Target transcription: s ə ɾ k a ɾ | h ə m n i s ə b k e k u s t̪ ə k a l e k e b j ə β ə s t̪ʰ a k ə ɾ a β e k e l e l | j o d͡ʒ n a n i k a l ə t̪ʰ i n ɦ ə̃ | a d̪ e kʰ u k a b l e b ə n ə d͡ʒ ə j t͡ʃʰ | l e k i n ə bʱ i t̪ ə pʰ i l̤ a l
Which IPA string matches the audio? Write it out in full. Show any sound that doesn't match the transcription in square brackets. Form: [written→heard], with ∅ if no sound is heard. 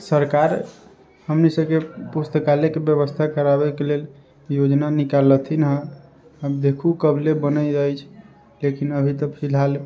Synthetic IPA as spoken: s ə ɾ k a ɾ | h ə m n i s ə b k e [k→p] u s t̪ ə k a l e k e b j ə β ə s t̪ʰ a k ə ɾ a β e k e l e l | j o d͡ʒ n a n i k a l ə t̪ʰ i n ɦ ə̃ | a d̪ e kʰ u k [a→ə] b l e b ə n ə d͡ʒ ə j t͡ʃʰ | l e k i n ə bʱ i t̪ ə pʰ i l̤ a l